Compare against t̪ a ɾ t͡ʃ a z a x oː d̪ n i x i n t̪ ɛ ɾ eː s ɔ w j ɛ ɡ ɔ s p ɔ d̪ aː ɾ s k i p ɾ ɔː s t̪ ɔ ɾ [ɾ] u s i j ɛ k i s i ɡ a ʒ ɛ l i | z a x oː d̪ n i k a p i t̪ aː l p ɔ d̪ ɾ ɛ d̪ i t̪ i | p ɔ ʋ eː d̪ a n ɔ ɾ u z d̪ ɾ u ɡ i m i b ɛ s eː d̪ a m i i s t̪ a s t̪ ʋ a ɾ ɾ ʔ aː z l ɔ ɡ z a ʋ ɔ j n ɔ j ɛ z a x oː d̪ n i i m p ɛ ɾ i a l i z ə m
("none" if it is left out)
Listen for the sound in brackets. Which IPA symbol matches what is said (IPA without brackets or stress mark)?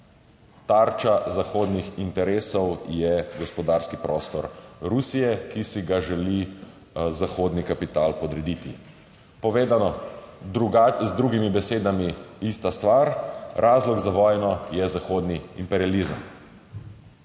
ɾ